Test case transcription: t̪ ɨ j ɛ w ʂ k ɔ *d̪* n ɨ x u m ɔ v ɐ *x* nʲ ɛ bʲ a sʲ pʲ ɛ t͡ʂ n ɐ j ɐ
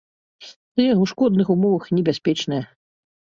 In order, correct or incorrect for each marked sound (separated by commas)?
correct, correct